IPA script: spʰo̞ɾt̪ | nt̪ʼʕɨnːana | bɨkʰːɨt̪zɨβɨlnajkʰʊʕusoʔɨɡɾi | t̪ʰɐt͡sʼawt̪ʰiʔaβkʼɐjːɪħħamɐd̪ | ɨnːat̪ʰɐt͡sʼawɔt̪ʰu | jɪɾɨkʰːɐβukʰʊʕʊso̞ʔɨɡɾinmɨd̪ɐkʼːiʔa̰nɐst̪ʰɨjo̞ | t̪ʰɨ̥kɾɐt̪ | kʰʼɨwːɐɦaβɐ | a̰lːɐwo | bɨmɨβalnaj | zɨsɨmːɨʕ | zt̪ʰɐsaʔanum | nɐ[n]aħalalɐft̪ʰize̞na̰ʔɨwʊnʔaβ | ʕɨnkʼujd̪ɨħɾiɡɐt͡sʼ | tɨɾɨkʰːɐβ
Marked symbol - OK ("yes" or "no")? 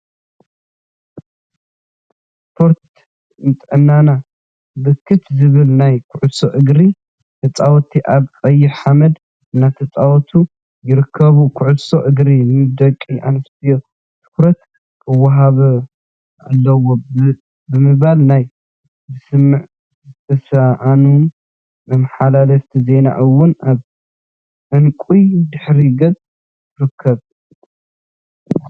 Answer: no